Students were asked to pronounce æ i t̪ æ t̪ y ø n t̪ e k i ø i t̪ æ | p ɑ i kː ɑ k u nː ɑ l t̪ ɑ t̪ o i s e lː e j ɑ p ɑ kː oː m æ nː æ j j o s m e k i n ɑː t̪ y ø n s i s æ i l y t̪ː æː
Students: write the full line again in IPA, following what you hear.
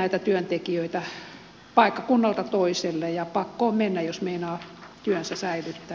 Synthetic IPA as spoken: æ i t̪ æ t̪ y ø n t̪ e k i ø i t̪ æ | p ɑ i kː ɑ k u nː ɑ l t̪ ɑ t̪ o i s e lː e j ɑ p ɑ kː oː m e nː æ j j o s m e i n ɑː t̪ y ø n s æ s æ i l y t̪ː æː